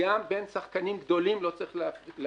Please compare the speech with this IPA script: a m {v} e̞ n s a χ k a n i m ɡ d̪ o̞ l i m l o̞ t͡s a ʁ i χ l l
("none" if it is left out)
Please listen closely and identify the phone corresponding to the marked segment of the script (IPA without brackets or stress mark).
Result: b